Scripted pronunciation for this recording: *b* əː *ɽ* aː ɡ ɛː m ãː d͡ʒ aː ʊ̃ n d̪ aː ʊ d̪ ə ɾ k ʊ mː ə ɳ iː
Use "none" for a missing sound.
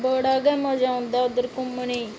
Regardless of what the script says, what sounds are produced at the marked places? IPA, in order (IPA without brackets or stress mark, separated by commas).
b, ɽ